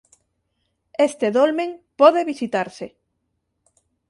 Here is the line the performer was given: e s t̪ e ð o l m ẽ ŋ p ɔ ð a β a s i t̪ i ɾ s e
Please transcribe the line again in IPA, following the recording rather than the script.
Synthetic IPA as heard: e s t̪ e ð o l m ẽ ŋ p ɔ ð e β i s i t̪ a ɾ s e